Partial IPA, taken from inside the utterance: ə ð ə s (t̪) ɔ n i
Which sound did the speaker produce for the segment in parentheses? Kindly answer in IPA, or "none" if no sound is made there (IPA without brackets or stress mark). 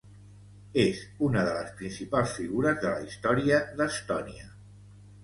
t̪